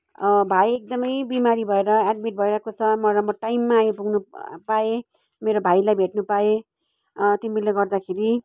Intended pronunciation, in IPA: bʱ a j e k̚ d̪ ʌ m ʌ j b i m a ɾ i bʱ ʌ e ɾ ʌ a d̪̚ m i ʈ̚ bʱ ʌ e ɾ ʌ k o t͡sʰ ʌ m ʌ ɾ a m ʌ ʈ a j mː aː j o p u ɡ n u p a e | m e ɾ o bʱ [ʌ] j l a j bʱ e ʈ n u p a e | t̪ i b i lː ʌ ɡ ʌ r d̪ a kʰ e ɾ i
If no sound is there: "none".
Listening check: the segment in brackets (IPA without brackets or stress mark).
a